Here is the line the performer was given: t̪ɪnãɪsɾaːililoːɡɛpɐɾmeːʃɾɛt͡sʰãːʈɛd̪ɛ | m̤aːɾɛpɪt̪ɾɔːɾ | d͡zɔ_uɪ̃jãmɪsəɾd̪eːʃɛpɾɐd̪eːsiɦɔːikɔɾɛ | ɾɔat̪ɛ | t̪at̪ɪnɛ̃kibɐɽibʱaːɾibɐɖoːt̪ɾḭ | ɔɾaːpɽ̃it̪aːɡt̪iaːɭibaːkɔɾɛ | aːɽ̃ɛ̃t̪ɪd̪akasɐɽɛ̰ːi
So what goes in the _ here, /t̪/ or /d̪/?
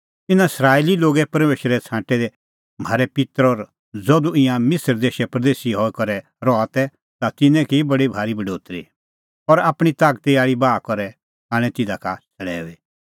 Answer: d̪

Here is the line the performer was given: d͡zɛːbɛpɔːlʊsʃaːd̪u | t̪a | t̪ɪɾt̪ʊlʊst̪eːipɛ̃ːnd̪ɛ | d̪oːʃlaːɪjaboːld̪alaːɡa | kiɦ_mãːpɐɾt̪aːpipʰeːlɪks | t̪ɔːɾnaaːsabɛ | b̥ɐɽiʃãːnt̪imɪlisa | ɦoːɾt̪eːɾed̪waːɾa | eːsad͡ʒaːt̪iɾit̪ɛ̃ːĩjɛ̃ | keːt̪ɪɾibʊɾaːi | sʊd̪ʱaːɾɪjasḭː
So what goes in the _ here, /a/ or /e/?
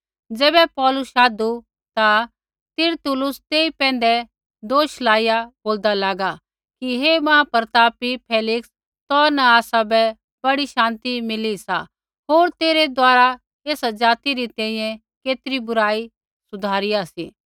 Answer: e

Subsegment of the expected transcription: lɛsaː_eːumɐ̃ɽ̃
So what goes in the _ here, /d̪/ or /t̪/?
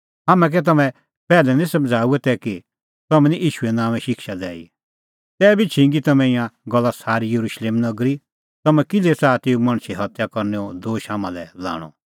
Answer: t̪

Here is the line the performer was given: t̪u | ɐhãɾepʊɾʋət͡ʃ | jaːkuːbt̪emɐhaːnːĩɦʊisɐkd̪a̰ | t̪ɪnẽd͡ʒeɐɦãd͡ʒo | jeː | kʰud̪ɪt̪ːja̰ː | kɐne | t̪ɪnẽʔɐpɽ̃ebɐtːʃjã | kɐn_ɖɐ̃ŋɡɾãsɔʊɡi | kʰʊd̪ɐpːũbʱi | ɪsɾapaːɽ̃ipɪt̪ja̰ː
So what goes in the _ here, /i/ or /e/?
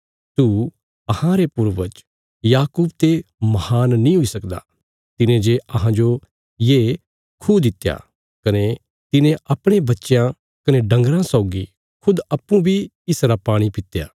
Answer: e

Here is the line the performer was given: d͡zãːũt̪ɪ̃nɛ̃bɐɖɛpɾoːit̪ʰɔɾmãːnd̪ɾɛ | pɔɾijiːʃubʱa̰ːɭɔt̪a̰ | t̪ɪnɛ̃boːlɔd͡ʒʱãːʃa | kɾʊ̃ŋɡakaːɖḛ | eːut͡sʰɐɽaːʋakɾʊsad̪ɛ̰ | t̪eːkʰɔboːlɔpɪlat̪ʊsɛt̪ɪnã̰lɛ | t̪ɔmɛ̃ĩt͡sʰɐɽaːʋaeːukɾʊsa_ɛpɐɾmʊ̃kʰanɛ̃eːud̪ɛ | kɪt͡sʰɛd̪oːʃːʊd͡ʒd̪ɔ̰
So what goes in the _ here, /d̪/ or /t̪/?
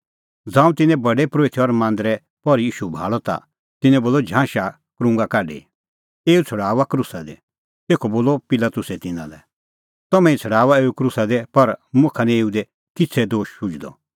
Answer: d̪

